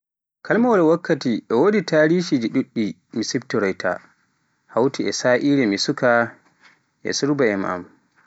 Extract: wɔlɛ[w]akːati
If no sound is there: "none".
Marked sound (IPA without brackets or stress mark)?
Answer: w